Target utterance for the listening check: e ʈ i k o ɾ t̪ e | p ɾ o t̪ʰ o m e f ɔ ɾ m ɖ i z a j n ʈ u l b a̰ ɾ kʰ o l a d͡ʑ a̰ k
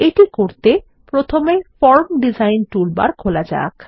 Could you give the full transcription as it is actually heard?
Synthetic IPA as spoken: e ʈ i k o ɾ t̪ e | p ɾ o t̪ʰ o m e f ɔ ɾ m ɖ i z a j n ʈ u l b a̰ ɾ kʰ o l a d͡ʑ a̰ k